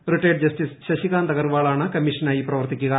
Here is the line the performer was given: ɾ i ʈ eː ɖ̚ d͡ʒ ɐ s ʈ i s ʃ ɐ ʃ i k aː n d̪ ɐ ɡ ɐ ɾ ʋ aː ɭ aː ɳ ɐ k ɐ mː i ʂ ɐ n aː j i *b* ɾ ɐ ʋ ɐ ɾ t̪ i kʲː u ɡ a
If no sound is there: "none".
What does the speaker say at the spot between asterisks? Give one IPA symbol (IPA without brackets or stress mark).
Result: p